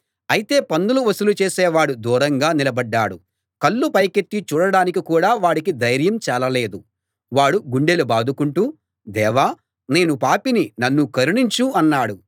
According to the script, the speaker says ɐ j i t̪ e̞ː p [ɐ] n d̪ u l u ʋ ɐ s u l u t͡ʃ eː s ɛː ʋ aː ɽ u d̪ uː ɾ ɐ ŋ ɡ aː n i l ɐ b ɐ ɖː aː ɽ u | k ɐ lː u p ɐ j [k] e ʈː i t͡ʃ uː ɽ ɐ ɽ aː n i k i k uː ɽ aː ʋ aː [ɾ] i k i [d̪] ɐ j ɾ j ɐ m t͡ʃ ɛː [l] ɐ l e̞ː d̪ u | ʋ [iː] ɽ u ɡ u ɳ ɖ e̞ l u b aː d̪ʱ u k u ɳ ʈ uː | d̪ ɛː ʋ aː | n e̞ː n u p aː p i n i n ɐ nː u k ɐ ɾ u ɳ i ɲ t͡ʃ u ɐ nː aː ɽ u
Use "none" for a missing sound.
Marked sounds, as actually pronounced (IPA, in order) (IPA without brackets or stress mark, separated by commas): ɐ, k, ɽ, d̪, l, aː